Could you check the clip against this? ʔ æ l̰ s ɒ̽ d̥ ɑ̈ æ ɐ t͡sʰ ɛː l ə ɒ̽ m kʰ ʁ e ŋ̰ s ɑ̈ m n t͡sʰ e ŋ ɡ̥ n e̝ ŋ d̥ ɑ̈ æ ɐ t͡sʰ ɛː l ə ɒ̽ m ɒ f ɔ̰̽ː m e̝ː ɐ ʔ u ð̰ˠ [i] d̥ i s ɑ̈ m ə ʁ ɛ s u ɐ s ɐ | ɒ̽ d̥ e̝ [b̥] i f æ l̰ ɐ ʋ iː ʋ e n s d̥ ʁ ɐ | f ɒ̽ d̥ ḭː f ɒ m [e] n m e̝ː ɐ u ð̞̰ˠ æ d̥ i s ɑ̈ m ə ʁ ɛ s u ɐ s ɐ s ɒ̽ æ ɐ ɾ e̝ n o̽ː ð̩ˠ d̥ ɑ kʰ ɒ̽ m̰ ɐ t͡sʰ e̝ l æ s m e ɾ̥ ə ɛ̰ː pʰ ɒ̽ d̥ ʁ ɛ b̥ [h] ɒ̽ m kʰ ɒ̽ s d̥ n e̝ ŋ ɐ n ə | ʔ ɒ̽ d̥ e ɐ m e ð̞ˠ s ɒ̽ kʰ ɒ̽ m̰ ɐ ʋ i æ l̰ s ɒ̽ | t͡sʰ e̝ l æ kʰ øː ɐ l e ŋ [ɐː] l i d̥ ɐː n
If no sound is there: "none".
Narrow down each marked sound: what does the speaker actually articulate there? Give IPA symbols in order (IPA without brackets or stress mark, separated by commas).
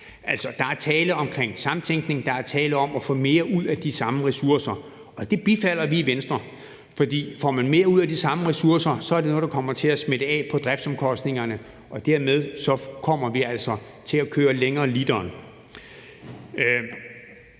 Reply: æ, b̥, æ, s, ɐː